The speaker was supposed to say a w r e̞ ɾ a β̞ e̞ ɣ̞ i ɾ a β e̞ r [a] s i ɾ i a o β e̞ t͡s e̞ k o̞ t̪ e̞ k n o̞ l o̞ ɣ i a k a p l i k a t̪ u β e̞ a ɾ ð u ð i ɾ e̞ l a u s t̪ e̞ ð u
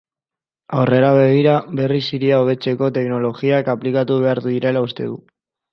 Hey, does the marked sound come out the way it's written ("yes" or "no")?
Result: no